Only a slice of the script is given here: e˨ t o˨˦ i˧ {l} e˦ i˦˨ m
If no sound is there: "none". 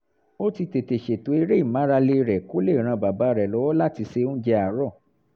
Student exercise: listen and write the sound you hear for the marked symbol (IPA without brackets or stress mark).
ɾ